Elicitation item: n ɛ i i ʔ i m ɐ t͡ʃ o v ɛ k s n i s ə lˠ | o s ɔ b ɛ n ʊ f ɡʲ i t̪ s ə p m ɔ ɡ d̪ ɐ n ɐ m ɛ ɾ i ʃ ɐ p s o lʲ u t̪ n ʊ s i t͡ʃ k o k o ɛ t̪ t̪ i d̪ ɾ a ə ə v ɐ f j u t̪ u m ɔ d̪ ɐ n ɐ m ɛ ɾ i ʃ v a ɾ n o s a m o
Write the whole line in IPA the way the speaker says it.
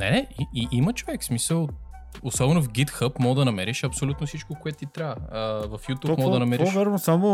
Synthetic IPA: n ɛ i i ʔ i m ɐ t͡ʃ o v ɛ k s m i s ə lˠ | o s ɔ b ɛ n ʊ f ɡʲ i t̪ x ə p m ɔ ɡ d̪ ɐ n ɐ m ɛ ɾ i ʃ ɐ p s o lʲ u t̪ n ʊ s i t͡ʃ k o k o ɛ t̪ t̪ i t̪ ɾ a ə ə v ɐ f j u t̪ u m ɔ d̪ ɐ n ɐ m ɛ ɾ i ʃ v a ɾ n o s a m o